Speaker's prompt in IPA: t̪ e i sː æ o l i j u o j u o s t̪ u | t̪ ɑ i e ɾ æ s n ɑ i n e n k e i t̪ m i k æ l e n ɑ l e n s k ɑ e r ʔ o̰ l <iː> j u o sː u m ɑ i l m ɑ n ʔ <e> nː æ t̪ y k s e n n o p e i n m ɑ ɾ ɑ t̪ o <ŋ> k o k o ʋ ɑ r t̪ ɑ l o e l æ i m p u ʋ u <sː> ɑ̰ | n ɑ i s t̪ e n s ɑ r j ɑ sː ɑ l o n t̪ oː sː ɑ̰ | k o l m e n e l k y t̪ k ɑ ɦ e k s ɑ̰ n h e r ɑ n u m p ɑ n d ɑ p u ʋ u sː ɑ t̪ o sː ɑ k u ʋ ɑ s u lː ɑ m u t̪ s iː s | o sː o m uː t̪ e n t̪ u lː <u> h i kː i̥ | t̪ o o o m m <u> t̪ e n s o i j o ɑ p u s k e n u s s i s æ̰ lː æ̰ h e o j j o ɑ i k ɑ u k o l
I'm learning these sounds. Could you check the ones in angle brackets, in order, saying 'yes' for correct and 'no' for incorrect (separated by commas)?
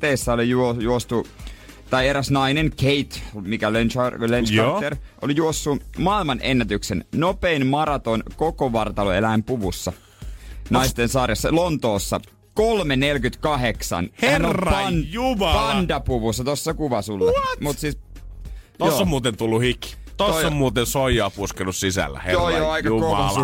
no, yes, no, yes, yes, no